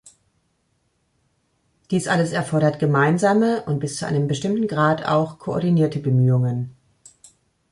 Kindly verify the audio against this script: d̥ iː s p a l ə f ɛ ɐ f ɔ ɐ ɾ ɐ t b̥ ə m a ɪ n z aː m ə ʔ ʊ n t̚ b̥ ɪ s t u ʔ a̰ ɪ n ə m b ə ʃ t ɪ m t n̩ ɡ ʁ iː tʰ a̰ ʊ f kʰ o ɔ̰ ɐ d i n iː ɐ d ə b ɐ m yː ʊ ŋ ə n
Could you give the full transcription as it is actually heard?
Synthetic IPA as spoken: d̥ iː s ʔ a l ə s ɛ ɐ f ɔ ɐ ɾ ɐ t ɡ̥ ə m a ɪ n z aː m ə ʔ ʊ n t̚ b̥ ɪ s t͡s u ʔ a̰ ɪ n ə m b ə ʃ t ɪ m t n̩ ɡ ʁ aː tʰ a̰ ʊ x kʰ o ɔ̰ ɐ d i n iː ɐ t ə b ə m yː ʊ ŋ ə n